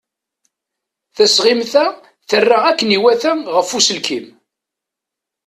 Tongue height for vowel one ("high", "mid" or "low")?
low